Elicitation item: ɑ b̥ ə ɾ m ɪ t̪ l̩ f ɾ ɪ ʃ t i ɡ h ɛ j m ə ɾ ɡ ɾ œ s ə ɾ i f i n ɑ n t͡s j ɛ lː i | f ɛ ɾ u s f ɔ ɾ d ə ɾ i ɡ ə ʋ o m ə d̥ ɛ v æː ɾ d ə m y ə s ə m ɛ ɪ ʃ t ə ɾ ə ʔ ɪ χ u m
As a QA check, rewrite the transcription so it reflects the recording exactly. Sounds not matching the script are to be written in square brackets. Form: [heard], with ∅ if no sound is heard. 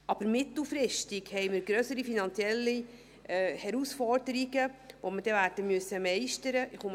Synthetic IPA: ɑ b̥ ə ɾ m ɪ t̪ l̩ f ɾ ɪ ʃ t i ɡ h ɛ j m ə ɾ ɡ ɾ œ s ə ɾ i f i n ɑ n t͡s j ɛ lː i | [h] ɛ ɾ u s f ɔ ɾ d ə ɾ i ɡ ə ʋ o m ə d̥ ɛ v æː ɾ d ə m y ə s ə m ɛ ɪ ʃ t ə ɾ ə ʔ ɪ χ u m